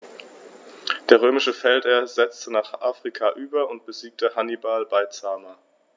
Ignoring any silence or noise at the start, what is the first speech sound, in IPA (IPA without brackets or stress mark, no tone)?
d̥